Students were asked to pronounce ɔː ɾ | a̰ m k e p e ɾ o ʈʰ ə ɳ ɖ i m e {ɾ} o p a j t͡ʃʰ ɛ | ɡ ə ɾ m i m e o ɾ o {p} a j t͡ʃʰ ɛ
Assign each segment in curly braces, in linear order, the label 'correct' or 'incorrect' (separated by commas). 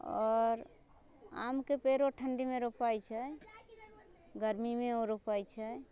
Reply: correct, correct